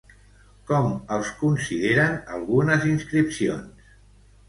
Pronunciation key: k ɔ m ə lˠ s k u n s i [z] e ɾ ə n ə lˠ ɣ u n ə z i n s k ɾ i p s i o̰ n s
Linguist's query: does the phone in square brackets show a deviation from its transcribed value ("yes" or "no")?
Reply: yes